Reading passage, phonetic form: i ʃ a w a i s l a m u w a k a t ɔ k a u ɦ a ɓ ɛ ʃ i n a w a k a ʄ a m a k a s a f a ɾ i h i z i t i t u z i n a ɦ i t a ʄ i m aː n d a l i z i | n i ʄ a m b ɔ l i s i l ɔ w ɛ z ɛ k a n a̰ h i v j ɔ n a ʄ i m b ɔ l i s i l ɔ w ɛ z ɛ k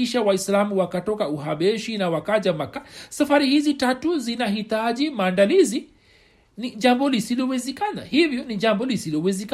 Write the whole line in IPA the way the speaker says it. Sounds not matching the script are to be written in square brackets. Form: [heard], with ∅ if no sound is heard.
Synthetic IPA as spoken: i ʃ a w a i s l a m u w a k a t ɔ k a u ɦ a ɓ ɛ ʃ i n a w a k a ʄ a m a k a s a f a ɾ i h i z i t [a] t u z i n a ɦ i t a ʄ i m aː n d a l i z i | n i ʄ a m b ɔ l i s i l ɔ w ɛ z ɛ k a n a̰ h i v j ɔ n [i] ʄ [a] m b ɔ l i s i l ɔ w ɛ z ɛ k